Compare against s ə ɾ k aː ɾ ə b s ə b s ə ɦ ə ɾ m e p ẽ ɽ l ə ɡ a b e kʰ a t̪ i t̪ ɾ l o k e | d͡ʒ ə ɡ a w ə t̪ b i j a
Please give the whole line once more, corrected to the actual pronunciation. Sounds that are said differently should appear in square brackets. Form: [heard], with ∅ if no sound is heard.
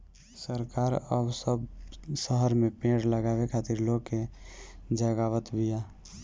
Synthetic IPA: s ə ɾ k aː ɾ ə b s ə b s ə ɦ ə ɾ m e p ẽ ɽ l ə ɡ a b e kʰ a t̪ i [∅] ɾ l o k e | d͡ʒ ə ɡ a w ə t̪ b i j a